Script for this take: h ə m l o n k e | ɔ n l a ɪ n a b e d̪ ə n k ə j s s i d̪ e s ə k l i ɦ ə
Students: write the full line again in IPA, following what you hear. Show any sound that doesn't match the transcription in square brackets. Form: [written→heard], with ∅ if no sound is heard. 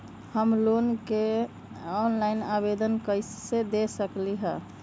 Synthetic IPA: h ə m l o n k e | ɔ n l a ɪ n a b e d̪ ə n k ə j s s [i→e] d̪ e s ə k l i ɦ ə